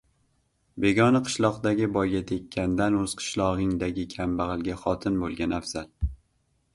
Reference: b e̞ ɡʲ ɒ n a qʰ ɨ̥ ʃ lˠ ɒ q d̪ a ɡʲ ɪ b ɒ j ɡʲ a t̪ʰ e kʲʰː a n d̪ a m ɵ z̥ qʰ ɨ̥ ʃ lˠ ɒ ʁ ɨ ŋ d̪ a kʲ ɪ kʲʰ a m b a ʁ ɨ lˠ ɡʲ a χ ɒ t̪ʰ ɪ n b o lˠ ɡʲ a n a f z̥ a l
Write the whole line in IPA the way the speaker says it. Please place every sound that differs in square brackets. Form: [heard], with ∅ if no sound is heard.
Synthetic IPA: b e̞ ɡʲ ɒ n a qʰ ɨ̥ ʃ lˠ ɒ q d̪ a ɡʲ ɪ b ɒ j ɡʲ a t̪ʰ e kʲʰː a n d̪ a [n] ɵ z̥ qʰ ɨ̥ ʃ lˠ ɒ ʁ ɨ ŋ d̪ a [ɡʲ] ɪ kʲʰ a m b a ʁ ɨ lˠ ɡʲ a χ ɒ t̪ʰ ɪ n b o lˠ ɡʲ a n a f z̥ a l